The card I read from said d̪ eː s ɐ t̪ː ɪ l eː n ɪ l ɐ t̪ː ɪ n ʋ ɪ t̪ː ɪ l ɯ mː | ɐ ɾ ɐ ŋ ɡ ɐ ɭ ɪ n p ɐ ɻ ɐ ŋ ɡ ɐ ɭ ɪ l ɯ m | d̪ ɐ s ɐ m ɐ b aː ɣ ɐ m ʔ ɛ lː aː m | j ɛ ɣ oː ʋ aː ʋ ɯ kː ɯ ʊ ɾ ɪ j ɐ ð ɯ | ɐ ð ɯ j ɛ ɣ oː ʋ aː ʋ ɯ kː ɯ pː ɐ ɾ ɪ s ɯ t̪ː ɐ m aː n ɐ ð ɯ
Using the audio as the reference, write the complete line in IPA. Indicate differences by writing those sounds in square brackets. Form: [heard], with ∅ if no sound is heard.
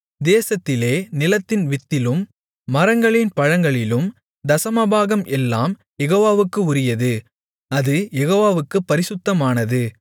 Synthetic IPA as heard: d̪ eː s ɐ t̪ː ɪ l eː n ɪ l ɐ t̪ː ɪ n ʋ ɪ t̪ː ɪ l ɯ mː | ɐ ɾ ɐ ŋ ɡ ɐ ɭ ɪ n p ɐ ɻ ɐ ŋ ɡ ɐ ɭ ɪ l ɯ m | d̪ ɐ s ɐ m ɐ b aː ɣ ɐ m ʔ ɛ lː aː m | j ɛ ɣ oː ʋ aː ʋ ɯ kː ɯ ʊ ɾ ɪ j ɐ ð ɯ | ɐ ð ɯ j ɛ ɣ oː ʋ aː ʋ ɯ kː ɯ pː ɐ ɾ ɪ s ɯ t̪ː ɐ m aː n ɐ ð ɯ

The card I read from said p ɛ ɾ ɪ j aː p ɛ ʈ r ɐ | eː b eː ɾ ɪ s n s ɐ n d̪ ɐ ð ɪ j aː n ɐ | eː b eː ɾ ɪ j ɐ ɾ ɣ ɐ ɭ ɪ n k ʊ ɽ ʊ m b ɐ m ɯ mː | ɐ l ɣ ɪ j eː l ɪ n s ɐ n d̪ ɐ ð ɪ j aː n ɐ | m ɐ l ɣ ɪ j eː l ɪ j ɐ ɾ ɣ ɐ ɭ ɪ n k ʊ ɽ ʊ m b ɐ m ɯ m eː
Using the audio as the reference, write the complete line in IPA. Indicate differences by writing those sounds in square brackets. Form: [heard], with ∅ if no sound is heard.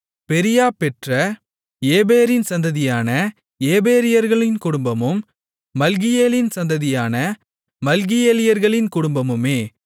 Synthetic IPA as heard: p ɛ ɾ ɪ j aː p ɛ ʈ r ɐ | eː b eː ɾ ɪ [∅] n s ɐ n d̪ ɐ ð ɪ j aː n ɐ | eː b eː ɾ ɪ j ɐ ɾ ɣ ɐ ɭ ɪ n k ʊ ɽ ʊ m b ɐ m ɯ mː | ɐ l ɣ ɪ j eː l ɪ n s ɐ n d̪ ɐ ð ɪ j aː n ɐ | m ɐ l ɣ ɪ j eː l ɪ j ɐ ɾ ɣ ɐ ɭ ɪ n k ʊ ɽ ʊ m b ɐ m ɯ m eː

